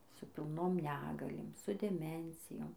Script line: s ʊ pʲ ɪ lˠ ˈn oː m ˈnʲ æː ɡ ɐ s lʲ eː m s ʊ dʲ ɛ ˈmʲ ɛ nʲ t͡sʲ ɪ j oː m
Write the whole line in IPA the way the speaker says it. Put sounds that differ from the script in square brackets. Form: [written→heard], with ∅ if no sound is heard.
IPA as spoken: s ʊ pʲ ɪ lˠ ˈn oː m ˈnʲ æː ɡ ɐ [s→∅] lʲ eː m s ʊ dʲ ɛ ˈmʲ ɛ nʲ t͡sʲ ɪ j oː m